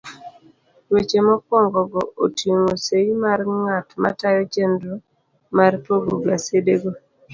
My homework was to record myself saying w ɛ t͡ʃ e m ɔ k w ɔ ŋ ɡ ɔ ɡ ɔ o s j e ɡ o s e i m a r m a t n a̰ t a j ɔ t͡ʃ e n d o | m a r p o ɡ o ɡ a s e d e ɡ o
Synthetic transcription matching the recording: w e t͡ʃ e m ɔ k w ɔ ŋ ɡ ɔ ɡ ɔ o t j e ŋ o s e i m a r ŋ a t m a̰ t a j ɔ t͡ʃ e n d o | m a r p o ɡ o ɡ a s e d e ɡ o